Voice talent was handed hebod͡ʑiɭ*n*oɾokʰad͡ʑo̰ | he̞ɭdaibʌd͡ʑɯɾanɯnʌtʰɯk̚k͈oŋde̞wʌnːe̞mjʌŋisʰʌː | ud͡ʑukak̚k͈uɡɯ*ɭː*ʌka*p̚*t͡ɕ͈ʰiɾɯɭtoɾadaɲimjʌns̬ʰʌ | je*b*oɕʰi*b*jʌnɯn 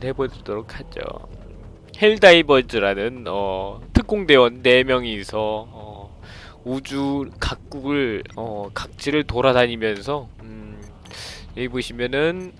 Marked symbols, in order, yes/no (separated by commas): no, no, no, yes, no